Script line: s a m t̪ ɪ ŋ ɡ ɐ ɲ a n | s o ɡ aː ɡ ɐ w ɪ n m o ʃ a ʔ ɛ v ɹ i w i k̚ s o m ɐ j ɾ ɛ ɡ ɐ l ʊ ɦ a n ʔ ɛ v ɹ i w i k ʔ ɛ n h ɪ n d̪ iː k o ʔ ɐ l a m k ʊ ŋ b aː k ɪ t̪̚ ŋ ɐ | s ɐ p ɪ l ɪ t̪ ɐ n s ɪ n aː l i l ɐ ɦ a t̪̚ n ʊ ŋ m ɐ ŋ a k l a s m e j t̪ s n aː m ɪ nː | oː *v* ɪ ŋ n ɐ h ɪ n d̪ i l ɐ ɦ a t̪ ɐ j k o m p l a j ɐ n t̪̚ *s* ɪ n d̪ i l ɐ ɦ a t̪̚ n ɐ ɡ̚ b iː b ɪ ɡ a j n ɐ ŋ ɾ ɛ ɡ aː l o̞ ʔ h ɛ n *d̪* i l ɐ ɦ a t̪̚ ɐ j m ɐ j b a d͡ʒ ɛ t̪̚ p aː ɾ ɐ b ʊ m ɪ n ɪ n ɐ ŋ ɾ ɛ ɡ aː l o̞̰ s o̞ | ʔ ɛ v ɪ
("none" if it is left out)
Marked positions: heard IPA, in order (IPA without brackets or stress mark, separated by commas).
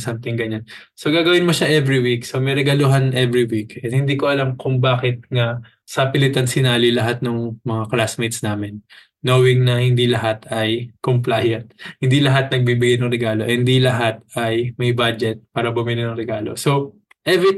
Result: w, h, d̪